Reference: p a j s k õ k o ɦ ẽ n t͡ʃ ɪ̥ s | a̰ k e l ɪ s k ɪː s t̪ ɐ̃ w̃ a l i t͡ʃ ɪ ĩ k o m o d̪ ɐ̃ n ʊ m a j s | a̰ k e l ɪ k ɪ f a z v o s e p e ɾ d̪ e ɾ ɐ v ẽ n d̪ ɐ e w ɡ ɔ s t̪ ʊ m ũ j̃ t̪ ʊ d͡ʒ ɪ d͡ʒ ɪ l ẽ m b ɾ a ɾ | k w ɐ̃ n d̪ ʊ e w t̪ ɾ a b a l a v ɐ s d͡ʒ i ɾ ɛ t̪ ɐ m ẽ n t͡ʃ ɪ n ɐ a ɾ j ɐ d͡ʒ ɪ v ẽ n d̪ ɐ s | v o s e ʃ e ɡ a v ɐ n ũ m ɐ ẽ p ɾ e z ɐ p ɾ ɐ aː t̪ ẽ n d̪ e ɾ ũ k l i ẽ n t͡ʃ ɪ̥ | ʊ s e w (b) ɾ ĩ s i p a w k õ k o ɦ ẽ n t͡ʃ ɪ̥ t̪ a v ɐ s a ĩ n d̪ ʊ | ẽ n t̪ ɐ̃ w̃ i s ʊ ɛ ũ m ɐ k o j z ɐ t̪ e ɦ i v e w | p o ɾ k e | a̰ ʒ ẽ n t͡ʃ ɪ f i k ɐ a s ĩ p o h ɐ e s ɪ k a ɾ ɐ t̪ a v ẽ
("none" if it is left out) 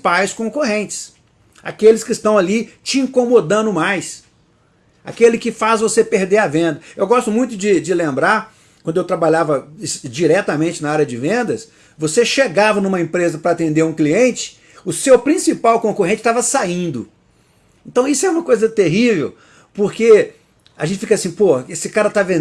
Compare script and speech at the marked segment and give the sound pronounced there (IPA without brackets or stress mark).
p